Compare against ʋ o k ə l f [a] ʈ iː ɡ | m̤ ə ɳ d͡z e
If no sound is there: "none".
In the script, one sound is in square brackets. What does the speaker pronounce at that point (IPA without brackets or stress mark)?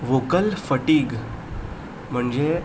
ə